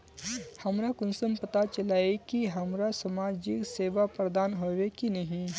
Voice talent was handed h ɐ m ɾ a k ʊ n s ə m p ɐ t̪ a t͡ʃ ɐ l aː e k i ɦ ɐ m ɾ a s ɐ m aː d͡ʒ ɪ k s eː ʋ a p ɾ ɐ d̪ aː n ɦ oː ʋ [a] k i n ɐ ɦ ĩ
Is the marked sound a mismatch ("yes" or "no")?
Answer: yes